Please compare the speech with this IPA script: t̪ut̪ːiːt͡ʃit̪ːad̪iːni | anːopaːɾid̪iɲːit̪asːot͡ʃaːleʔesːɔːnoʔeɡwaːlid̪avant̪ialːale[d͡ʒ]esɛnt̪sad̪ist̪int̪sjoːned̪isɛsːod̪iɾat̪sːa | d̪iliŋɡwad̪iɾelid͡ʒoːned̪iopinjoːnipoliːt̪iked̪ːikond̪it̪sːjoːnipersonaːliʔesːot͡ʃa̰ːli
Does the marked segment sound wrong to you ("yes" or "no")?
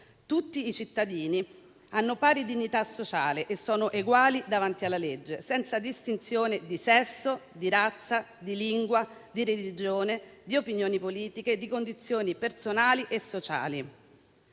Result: yes